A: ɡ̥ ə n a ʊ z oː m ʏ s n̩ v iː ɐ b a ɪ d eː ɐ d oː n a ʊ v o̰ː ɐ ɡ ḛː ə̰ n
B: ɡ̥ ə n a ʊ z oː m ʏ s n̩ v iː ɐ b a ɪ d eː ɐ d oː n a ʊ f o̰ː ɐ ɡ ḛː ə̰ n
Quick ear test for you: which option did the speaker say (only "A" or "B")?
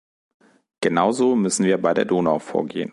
B